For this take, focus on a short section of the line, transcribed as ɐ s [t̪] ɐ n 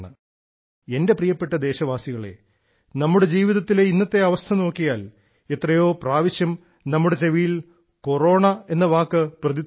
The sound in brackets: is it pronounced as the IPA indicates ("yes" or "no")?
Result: no